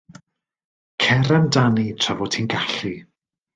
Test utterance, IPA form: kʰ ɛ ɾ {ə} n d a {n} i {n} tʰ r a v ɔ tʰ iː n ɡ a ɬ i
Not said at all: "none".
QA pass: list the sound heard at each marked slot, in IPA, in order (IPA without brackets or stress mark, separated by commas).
a, n, none